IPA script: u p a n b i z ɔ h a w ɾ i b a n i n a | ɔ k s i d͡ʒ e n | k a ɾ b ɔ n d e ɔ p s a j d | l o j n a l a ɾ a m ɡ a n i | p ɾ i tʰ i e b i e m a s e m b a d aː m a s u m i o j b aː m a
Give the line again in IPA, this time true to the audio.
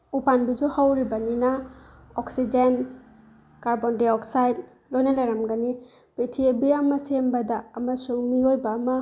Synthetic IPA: u p a n b i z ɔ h a w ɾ i b a n i n a | ɔ k s i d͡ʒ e n | k a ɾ b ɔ n d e ɔ k s a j d | l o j n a l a ɾ a m ɡ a n i | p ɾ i tʰ i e b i a m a s e m b a d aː m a s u m i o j b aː m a